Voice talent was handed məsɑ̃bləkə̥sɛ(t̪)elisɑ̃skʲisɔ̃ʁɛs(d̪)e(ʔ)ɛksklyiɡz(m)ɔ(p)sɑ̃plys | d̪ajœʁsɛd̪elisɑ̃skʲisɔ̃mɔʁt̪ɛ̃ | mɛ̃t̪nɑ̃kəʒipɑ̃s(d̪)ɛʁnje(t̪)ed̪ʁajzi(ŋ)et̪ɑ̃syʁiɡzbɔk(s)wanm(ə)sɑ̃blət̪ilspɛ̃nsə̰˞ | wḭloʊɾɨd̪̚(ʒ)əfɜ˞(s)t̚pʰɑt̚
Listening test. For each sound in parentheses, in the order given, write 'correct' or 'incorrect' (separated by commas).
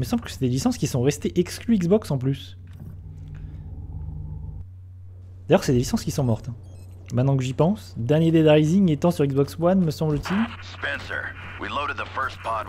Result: incorrect, incorrect, correct, incorrect, incorrect, correct, incorrect, correct, correct, correct, incorrect, correct